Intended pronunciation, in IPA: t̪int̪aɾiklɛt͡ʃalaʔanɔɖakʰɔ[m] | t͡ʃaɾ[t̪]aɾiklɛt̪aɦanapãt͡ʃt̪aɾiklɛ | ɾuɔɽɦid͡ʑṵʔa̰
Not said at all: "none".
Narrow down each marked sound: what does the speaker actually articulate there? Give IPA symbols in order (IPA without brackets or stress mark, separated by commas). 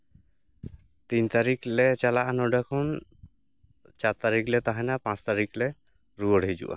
n, t̪